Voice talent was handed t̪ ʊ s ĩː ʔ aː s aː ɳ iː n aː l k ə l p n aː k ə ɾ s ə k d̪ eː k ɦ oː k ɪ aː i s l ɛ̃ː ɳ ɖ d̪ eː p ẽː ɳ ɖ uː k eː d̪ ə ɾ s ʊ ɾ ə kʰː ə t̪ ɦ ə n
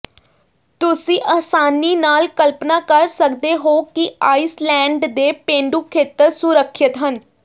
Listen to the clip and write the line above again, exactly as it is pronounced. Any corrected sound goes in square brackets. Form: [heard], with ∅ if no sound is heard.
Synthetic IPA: t̪ ʊ s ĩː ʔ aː s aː [n] iː n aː l k ə l p n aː k ə ɾ s ə k d̪ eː [∅] ɦ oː k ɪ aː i s l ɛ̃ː ɳ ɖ d̪ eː p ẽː ɳ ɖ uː [kʰ] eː [t̪] ə ɾ s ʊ ɾ ə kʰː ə t̪ ɦ ə n